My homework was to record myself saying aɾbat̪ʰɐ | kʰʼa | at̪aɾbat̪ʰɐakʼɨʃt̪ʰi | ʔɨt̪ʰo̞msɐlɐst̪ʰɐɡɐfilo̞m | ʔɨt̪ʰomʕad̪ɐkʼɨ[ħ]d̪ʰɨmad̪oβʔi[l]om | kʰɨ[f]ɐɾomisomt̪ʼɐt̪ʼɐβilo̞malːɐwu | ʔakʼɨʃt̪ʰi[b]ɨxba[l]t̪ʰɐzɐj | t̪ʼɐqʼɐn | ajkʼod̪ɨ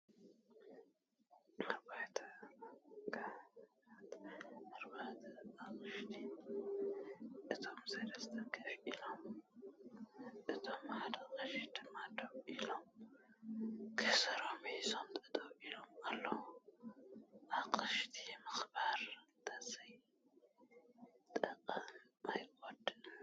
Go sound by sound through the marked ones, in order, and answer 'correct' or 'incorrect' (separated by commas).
incorrect, correct, incorrect, incorrect, incorrect